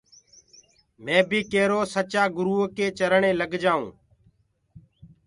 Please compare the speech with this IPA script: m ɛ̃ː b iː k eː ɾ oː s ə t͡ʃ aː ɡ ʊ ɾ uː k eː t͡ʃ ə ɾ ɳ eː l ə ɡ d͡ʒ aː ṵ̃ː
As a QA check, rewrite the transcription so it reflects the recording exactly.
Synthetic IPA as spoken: m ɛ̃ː b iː k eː ɾ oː s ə t͡ʃ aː ɡ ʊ ɾ uː k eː t͡ʃ ə ɾ ɳ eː l ə ɡ d͡ʒ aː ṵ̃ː